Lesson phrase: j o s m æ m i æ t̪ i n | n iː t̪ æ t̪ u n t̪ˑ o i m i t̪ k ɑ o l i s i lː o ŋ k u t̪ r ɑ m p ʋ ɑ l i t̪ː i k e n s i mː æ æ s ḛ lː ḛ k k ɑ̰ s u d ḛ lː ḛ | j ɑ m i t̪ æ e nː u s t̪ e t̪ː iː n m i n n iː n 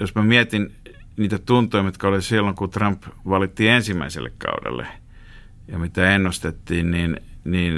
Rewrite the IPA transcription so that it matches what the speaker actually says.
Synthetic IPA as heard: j o s m æ m i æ t̪ i n | n iː t̪ æ t̪ u n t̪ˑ o i m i t̪ k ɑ o l i s i lː o ŋ k u t̪ r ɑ m p ʋ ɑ l i t̪ː i e n s i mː æ i s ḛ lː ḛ k k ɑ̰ u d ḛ lː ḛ | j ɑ m i t̪ æ e nː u s t̪ e t̪ː iː n n i n n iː n